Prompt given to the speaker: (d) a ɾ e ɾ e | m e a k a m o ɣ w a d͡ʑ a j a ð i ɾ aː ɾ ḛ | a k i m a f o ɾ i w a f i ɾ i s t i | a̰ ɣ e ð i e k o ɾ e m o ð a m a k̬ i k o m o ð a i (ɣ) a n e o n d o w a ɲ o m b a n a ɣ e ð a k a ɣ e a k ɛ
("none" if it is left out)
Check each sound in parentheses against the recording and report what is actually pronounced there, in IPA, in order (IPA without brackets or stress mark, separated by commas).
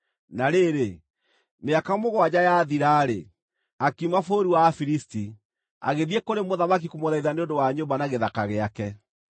n, ð